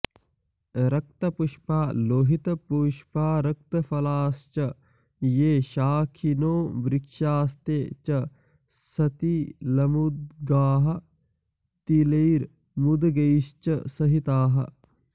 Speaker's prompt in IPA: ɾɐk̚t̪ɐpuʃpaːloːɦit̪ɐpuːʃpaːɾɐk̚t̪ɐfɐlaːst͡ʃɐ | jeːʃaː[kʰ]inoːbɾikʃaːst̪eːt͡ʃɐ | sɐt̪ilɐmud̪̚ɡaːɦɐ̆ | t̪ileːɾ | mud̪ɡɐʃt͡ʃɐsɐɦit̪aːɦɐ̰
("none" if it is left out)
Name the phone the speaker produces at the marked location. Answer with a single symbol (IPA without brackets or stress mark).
kʰ